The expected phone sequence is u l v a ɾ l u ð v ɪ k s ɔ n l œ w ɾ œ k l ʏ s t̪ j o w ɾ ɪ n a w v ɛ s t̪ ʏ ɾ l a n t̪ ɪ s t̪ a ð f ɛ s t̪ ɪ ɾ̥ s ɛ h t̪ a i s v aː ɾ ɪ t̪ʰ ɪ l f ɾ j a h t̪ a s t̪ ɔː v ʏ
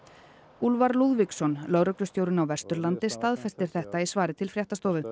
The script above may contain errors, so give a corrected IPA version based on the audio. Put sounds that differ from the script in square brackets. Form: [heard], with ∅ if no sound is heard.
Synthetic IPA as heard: u l v a ɾ l u ð v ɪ k s ɔ n l œ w ɾ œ k l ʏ s t̪ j o w ɾ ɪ n a w v ɛ s t̪ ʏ ɾ l a n t̪ ɪ s t̪ a ð f ɛ s t̪ ɪ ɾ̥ [θ] ɛ h t̪ a i s v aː ɾ ɪ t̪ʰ ɪ l f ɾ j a h t̪ a s t̪ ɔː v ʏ